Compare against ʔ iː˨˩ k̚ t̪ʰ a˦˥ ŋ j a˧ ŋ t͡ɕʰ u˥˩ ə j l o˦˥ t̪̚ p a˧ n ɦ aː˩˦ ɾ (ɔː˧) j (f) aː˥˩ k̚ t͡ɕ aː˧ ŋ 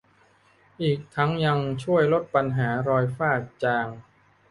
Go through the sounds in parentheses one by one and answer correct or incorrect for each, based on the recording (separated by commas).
correct, correct